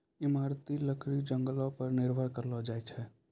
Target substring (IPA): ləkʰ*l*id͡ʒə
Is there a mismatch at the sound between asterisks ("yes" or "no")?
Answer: yes